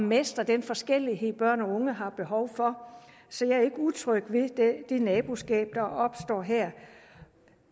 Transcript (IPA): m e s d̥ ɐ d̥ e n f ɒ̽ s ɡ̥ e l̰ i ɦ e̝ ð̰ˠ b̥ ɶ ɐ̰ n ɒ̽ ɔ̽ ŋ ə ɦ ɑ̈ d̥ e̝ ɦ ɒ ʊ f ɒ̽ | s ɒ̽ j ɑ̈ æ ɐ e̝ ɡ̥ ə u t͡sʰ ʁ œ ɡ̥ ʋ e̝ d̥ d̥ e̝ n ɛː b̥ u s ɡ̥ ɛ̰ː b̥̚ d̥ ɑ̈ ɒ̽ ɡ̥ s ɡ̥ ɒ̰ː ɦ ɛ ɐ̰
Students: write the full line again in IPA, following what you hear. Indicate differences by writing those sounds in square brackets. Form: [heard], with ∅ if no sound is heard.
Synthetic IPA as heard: m e s d̥ ɐ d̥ e n f ɒ̽ s ɡ̥ e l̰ i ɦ e̝ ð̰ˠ b̥ ɶ ɐ̰ n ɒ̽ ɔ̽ ŋ ə ɦ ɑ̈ [b̥] e̝ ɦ ɒ ʊ f ɒ̽ | s ɒ̽ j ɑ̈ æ ɐ e̝ ɡ̥ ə u t͡sʰ ʁ œ ɡ̥ ʋ e̝ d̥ d̥ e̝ n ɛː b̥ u s ɡ̥ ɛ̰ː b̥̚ d̥ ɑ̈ ɒ̽ [b̥] s [d̥] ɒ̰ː ɦ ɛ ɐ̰